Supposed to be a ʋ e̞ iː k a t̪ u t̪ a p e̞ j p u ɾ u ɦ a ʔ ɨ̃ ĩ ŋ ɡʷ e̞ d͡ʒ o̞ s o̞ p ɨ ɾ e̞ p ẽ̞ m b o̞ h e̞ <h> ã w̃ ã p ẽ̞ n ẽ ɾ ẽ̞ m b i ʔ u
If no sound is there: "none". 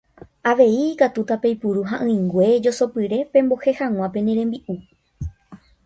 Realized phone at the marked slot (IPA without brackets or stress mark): h